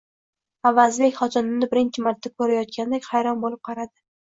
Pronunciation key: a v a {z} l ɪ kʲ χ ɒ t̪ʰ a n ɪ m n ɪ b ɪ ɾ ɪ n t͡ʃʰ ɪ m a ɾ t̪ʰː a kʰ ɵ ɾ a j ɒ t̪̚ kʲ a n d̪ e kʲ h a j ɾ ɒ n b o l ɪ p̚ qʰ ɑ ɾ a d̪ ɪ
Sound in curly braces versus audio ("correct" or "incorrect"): correct